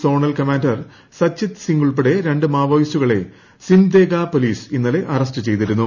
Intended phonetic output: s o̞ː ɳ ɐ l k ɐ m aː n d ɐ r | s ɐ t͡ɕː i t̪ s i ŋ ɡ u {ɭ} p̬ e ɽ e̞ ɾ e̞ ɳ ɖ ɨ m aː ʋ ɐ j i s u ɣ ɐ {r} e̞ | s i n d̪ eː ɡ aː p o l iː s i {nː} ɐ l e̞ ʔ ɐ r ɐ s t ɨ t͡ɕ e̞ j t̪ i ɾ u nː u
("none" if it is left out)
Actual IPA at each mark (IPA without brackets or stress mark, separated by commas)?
ɭ, ɭ, nː